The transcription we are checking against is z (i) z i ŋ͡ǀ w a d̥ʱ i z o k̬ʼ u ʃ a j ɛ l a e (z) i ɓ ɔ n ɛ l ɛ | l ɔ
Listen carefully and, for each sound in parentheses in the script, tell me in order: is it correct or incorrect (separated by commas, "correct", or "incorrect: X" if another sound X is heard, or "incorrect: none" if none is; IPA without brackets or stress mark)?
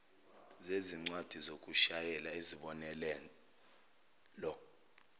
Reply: incorrect: e, correct